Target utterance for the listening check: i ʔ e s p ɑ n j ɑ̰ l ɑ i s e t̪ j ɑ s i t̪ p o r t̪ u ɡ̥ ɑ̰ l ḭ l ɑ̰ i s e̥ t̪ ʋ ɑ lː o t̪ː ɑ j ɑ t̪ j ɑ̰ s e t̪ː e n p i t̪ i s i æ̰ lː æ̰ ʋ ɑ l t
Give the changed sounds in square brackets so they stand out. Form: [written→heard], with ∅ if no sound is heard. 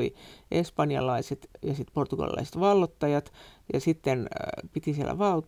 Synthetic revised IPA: i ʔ e s p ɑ n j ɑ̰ l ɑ i s e t̪ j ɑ s i t̪ p o r t̪ u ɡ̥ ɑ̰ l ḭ l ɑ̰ i s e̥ t̪ ʋ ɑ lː o t̪ː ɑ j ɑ t̪ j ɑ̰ s [e→i] t̪ː e n p i t̪ i s i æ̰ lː æ̰ ʋ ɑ l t